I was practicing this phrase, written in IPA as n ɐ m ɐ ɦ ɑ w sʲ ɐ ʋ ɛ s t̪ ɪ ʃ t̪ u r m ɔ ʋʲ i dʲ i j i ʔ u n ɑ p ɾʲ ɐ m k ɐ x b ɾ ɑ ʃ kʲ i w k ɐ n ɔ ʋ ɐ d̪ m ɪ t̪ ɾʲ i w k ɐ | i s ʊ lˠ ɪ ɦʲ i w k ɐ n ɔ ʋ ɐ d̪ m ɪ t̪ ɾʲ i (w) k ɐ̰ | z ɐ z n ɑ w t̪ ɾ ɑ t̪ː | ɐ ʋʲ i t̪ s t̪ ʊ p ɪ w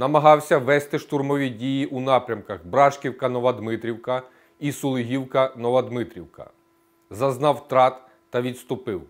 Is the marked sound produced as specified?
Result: yes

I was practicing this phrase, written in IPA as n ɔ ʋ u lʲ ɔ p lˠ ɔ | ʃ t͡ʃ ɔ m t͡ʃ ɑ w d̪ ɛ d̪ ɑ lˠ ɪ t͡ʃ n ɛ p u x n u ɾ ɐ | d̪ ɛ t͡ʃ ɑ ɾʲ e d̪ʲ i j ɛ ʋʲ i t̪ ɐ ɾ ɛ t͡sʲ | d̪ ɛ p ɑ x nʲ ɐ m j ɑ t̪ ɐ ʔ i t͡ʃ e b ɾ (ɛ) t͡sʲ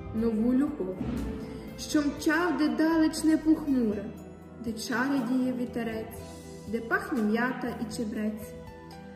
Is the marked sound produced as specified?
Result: yes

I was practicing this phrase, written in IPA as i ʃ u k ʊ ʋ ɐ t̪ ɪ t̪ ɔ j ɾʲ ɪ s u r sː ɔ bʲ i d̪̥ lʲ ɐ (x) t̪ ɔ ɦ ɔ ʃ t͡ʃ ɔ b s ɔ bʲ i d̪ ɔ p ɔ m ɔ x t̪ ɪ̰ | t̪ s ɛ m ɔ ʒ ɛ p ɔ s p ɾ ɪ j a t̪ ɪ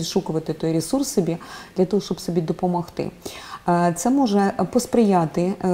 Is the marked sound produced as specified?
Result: no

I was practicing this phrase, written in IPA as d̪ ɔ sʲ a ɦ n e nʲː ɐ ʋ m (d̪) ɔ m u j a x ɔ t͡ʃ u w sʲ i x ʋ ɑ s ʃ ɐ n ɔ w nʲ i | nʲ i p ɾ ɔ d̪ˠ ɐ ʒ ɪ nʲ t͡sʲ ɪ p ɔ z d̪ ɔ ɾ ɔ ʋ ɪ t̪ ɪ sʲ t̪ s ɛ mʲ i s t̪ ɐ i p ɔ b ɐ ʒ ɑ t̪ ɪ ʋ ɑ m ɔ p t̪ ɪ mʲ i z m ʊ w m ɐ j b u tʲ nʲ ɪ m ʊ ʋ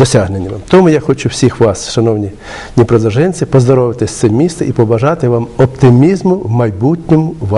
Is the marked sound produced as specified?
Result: no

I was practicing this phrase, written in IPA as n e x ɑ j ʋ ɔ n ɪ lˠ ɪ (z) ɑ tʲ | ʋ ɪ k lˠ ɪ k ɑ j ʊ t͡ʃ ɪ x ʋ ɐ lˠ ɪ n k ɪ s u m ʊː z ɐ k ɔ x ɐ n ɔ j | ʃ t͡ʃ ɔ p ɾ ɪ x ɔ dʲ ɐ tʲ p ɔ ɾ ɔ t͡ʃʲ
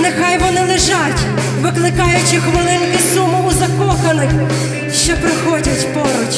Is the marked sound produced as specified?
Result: no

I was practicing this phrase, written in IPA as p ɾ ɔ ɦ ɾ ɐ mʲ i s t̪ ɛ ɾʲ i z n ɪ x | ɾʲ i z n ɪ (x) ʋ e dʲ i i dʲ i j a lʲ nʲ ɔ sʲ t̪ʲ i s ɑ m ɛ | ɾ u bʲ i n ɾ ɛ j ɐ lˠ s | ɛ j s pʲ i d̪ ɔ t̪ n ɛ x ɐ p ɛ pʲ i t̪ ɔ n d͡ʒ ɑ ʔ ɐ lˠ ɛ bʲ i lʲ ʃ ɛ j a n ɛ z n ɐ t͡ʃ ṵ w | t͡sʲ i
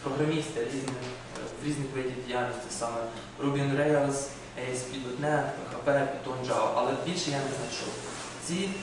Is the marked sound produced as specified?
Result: yes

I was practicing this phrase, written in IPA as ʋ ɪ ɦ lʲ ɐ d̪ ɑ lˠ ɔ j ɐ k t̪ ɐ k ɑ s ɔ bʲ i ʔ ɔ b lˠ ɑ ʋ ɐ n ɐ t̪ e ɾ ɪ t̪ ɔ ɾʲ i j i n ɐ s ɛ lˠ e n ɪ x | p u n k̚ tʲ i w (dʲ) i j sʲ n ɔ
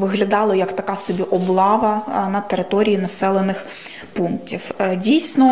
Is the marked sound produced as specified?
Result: yes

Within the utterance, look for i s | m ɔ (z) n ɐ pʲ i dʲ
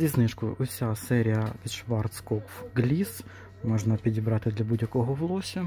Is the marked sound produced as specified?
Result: no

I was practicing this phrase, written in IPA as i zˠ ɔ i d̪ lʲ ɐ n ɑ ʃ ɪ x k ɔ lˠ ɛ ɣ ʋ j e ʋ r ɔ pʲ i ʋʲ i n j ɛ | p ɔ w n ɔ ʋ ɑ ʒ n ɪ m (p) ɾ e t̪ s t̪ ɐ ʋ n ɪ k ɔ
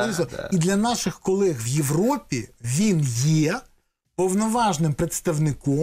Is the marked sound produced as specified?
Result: yes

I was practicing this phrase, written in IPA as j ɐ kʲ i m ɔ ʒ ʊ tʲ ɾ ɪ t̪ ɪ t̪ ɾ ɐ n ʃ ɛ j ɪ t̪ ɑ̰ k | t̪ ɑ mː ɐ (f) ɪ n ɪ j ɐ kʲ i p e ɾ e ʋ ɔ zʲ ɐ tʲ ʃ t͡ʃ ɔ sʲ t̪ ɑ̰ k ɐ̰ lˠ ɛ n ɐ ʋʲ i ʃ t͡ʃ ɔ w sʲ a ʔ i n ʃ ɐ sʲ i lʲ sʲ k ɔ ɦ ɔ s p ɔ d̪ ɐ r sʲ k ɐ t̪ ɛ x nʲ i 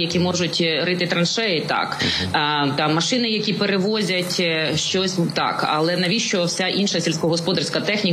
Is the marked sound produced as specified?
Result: no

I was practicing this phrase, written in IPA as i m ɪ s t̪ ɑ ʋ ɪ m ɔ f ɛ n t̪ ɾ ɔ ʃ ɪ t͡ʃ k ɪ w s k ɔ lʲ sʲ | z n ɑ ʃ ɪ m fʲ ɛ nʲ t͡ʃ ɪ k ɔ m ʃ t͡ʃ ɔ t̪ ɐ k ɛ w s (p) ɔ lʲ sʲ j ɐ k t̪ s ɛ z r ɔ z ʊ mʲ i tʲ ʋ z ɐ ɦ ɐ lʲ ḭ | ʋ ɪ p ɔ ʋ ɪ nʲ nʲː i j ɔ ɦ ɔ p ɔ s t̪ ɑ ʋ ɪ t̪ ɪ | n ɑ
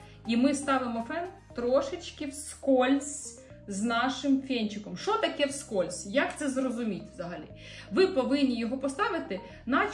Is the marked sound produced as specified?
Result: no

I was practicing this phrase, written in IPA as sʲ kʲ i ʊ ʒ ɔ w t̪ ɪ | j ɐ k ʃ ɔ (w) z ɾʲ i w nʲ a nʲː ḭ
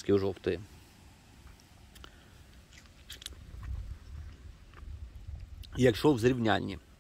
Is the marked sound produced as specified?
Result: yes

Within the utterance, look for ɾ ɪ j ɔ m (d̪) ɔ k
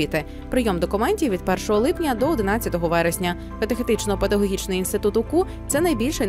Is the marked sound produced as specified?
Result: yes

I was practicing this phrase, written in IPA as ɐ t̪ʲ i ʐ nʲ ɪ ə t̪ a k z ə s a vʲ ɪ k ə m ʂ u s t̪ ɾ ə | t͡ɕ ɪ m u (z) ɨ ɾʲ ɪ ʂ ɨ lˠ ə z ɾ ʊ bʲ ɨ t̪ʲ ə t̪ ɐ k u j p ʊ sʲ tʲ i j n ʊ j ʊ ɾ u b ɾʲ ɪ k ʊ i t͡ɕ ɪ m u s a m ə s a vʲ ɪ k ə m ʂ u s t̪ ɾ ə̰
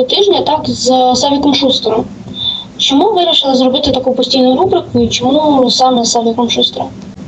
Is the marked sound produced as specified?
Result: no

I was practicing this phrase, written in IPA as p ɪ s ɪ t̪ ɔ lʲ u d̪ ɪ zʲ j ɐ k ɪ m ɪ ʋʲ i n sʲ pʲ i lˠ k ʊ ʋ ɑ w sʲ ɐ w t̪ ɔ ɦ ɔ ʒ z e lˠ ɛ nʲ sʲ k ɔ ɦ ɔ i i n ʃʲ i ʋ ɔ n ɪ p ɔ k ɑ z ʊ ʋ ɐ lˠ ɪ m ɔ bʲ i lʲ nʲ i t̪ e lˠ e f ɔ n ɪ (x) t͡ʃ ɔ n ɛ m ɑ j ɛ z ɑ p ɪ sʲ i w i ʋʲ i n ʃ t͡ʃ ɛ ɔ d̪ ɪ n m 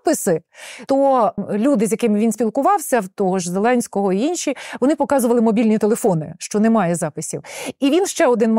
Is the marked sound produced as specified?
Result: no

